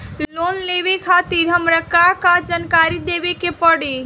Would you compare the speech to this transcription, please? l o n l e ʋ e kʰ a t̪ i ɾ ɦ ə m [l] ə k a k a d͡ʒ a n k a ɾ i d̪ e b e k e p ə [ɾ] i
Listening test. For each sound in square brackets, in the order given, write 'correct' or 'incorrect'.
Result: incorrect, incorrect

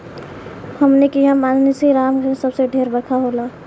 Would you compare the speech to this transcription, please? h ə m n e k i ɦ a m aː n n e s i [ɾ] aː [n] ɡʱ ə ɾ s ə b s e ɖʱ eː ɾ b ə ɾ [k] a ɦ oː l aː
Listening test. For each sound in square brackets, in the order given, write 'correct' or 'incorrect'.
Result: correct, incorrect, incorrect

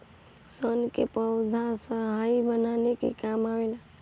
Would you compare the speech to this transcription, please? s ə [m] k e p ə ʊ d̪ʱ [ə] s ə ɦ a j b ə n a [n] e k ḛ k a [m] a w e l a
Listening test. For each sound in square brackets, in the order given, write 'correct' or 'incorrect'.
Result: incorrect, incorrect, correct, correct

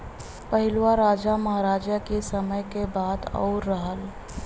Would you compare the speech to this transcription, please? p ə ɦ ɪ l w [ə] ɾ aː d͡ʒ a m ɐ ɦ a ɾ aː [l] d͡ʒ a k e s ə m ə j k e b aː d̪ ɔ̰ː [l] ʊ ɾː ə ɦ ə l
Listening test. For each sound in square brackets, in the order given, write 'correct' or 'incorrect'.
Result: incorrect, incorrect, incorrect

